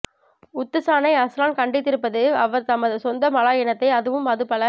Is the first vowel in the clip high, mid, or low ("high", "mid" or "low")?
high